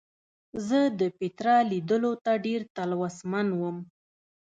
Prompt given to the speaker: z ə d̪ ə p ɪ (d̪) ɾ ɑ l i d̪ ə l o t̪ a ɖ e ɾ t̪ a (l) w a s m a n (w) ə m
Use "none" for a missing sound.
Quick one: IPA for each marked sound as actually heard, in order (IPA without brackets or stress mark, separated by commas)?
t̪, l, w